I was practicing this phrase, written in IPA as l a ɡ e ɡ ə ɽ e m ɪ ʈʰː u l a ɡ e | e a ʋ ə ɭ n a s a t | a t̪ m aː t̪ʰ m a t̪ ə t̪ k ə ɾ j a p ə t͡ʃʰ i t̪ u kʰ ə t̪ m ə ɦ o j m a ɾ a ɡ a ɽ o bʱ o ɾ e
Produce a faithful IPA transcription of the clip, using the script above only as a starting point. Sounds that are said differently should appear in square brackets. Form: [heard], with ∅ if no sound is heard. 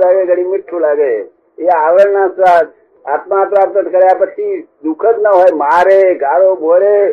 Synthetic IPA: l a ɡ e ɡ ə ɽ [i] m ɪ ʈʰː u l a ɡ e | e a ʋ ə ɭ n a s a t | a t̪ m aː [t̪] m a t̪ ə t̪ k ə ɾ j a p ə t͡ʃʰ i [d̪] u kʰ ə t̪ [n] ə ɦ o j m a ɾ [e] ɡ a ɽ o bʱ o ɾ e